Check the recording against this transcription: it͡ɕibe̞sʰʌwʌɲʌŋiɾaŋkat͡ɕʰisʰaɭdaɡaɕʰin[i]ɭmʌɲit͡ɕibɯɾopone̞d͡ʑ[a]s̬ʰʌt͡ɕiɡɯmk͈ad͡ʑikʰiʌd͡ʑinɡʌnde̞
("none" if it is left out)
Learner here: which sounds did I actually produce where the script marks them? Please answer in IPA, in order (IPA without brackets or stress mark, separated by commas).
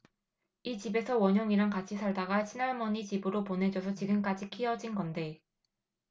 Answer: a, ʌ